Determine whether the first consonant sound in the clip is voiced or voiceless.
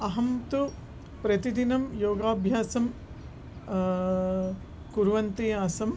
voiced